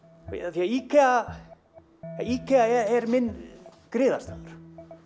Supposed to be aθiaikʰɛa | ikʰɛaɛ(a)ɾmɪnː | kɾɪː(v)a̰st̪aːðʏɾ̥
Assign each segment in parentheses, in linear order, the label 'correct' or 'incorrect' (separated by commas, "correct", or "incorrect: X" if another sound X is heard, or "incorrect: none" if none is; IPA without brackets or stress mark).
incorrect: ɛ, incorrect: ð